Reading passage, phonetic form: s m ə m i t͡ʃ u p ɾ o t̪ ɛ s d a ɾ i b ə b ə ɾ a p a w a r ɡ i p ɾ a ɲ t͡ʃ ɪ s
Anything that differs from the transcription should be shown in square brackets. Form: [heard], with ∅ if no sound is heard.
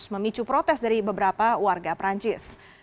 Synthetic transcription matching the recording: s m ə m i t͡ʃ u p ɾ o t̪ ɛ s d a ɾ i b ə b ə ɾ a p a w a r ɡ [a] p ɾ a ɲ t͡ʃ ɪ s